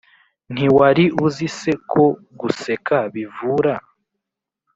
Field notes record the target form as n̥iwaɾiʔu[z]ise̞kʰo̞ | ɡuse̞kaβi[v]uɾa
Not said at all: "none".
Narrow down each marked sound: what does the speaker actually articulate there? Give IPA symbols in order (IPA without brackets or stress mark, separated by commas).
z, v